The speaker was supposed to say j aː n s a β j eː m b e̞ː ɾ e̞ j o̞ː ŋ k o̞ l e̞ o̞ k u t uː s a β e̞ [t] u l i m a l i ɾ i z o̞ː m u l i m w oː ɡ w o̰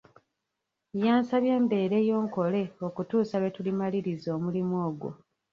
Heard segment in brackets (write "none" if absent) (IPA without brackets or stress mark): t